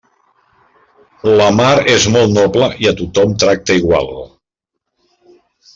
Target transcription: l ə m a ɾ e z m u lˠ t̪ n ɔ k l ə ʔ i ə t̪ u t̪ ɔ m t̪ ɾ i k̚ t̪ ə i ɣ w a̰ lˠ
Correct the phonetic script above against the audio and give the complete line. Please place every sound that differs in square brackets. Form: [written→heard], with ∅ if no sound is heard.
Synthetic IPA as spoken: l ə m a ɾ e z m [u→ɔ] lˠ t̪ n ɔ [k→p] l ə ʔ i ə t̪ u t̪ ɔ m t̪ ɾ [i→a] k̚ t̪ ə i ɣ w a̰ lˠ